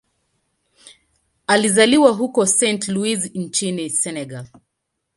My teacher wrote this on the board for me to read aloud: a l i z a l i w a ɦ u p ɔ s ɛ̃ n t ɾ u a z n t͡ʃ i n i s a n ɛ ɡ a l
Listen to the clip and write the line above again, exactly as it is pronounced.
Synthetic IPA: a l i z a l i w a ɦ u k ɔ s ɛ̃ n t l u i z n t͡ʃ i n i s ɛ n ɛ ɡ a l